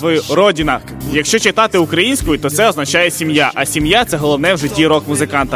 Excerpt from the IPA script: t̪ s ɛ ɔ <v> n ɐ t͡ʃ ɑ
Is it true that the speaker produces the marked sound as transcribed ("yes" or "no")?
no